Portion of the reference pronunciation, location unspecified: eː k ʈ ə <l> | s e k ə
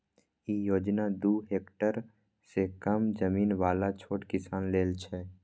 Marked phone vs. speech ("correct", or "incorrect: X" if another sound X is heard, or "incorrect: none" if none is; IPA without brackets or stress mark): incorrect: ɾ